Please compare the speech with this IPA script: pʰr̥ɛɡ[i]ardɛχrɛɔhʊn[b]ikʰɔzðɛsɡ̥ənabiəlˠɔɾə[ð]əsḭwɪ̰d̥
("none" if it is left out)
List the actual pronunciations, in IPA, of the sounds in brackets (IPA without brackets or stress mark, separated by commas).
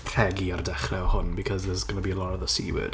i, b, ð